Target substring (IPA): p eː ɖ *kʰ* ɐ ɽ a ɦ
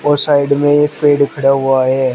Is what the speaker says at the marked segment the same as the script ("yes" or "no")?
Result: yes